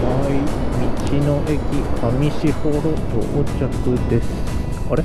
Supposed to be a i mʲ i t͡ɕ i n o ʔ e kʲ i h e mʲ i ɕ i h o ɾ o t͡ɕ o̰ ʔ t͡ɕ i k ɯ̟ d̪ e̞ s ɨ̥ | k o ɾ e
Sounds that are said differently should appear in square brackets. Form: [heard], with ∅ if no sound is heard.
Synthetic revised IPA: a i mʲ i t͡ɕ i n o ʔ e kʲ i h [a] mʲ i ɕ i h o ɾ o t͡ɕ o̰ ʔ t͡ɕ [a] k ɯ̟ d̪ e̞ s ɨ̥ | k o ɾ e